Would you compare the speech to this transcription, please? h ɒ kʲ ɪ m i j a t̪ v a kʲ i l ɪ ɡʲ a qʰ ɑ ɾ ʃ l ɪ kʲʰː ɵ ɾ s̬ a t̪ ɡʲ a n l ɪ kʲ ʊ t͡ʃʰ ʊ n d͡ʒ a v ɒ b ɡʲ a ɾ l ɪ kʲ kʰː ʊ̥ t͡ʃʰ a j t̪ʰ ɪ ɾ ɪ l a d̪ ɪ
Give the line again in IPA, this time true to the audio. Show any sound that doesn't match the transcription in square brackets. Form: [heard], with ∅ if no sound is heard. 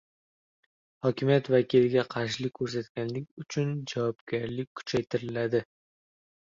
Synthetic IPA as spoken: h ɒ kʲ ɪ m i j a t̪ v a kʲ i l ɪ ɡʲ a qʰ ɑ ɾ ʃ l ɪ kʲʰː ɵ ɾ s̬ a t̪ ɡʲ a n l ɪ kʲ ʊ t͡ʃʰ ʊ n d͡ʒ a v ɒ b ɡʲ a ɾ l ɪ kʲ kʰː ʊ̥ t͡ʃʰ a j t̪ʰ ɪ ɾ ɪ l a d̪ ɪ